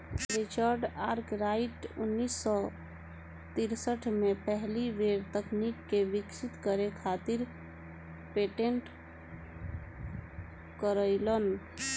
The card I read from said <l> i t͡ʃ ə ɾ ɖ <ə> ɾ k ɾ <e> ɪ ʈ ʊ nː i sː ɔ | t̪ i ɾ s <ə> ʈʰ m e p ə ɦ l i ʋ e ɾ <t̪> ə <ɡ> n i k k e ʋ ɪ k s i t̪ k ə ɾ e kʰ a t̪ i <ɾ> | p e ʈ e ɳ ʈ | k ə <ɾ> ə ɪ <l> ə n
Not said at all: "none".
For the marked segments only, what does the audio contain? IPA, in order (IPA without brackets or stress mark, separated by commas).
ɾ, a, a, ə, t̪, k, ɾ, ɾ, l